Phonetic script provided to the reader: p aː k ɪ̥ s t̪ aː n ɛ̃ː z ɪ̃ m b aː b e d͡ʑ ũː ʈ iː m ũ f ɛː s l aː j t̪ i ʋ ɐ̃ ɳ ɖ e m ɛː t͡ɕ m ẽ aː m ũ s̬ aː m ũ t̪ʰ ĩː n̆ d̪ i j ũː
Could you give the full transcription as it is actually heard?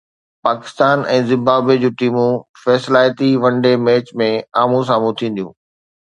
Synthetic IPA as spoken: p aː k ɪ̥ s t̪ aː n ɛ̃ː z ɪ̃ m b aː b e d͡ʑ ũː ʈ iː m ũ f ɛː s l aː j t̪ i ʋ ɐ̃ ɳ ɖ e m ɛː t͡ɕ m ẽ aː m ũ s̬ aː m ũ t̪ʰ ĩː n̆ d̪ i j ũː